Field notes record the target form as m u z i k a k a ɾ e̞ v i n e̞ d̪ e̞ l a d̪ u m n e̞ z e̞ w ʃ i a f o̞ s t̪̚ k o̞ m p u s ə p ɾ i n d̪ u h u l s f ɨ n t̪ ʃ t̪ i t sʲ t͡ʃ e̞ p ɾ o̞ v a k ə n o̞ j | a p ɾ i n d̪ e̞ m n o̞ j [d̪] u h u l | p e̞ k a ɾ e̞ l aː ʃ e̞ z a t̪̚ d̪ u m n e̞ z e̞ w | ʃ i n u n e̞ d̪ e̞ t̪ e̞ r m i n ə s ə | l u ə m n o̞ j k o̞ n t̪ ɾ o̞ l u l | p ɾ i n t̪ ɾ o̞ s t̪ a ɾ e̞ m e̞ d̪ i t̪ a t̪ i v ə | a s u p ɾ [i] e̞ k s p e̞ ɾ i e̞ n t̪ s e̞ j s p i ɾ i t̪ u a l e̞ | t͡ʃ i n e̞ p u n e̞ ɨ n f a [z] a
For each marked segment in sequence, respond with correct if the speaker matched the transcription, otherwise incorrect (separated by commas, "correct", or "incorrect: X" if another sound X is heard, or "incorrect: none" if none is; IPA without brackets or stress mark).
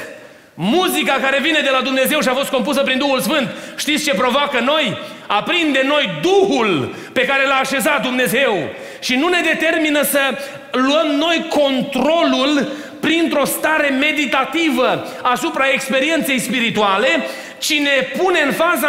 correct, incorrect: a, correct